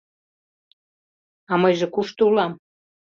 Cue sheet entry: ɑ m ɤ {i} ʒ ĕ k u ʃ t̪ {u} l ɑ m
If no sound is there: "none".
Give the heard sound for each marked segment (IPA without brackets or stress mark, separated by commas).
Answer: j, u